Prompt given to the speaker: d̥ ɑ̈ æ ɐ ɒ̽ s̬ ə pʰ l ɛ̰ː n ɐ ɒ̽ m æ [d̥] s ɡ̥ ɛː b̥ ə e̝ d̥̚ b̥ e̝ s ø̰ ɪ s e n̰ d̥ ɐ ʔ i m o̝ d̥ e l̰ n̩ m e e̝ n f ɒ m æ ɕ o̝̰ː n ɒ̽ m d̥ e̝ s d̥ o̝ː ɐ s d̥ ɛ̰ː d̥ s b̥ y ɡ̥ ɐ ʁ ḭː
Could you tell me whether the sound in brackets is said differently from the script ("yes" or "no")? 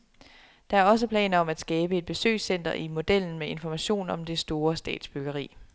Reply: no